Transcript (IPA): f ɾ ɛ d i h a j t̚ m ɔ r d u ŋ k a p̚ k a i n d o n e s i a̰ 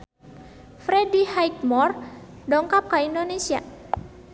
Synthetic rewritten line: f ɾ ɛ d i h a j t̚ m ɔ r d ɔ ŋ k a p̚ k a i n d o n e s i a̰